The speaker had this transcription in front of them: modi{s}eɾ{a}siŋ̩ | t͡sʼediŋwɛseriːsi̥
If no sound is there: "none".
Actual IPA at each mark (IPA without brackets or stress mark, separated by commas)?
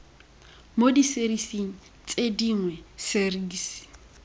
s, i